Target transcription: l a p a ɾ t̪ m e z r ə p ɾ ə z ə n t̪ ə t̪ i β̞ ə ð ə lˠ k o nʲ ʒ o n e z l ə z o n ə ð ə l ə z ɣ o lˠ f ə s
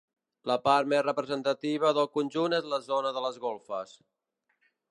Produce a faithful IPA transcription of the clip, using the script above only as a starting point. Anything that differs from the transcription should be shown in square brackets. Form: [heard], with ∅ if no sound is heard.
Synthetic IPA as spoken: l [ə] p a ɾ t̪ m e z r ə p ɾ ə z ə n t̪ ə t̪ i β̞ ə ð ə lˠ k [u] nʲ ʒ [u] n e z l ə z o n ə ð ə l ə z ɣ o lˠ f ə s